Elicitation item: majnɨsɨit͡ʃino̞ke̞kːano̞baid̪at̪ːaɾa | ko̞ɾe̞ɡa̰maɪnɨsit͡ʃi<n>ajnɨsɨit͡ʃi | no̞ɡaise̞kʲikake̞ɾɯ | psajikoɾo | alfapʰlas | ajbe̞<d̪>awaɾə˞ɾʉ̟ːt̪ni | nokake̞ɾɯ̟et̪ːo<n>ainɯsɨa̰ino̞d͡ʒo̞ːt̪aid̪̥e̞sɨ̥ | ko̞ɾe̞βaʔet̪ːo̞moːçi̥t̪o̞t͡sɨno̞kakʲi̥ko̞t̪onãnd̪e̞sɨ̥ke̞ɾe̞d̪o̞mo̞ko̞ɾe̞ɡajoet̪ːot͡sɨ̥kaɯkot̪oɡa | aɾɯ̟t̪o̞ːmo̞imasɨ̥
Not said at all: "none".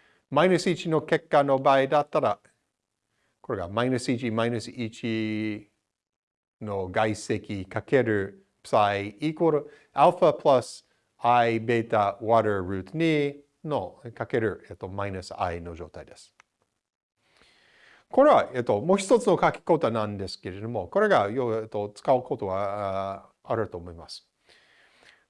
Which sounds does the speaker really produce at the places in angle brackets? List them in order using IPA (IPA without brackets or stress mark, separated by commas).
m, t̪, m